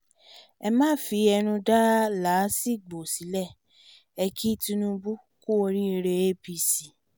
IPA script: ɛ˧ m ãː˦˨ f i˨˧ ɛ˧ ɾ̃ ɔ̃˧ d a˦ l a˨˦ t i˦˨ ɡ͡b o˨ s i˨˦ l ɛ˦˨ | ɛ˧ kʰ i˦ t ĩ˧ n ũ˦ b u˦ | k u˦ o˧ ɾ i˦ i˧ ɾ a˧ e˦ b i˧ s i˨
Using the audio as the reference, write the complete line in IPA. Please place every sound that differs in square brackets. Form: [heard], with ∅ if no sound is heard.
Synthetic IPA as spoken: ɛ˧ m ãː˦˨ f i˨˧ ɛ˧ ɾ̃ [ũ˧] d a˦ l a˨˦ [s] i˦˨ ɡ͡b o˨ s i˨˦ l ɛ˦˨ | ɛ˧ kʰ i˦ t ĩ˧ n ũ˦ b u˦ | k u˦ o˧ ɾ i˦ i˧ ɾ [e˧] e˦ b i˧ s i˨